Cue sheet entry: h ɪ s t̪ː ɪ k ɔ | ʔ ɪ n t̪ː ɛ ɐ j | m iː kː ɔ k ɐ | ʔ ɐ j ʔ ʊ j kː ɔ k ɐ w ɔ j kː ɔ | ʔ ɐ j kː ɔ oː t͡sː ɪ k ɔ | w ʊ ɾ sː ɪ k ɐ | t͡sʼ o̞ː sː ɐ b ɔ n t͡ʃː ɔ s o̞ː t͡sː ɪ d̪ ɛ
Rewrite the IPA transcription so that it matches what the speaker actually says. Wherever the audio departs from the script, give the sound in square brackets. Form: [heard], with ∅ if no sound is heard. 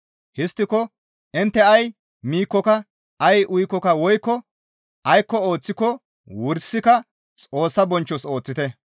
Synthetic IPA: h ɪ s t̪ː ɪ k ɔ | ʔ ɪ n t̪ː ɛ ɐ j | m iː kː ɔ k ɐ | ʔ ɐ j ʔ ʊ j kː ɔ k ɐ w ɔ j kː ɔ | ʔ ɐ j kː ɔ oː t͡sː ɪ k ɔ | w ʊ ɾ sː ɪ k ɐ | t͡sʼ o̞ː sː ɐ b ɔ n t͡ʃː ɔ s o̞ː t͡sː ɪ [t̪] ɛ